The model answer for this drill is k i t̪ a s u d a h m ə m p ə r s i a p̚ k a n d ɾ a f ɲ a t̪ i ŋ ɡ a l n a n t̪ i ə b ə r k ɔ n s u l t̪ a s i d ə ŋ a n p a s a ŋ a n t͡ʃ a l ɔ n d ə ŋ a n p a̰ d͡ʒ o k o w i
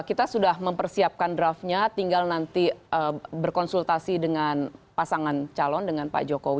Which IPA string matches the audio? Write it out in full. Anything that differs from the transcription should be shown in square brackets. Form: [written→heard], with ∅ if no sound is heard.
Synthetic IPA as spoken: k i t̪ a s u d a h m ə m p ə r s i a p̚ k a n d ɾ a f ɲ a t̪ i ŋ ɡ a l n a n t̪ i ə b ə r k ɔ n s u l t̪ a s i d ə ŋ a n p a s a ŋ a n t͡ʃ a l ɔ n d ə ŋ a n p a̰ d͡ʒ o k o w i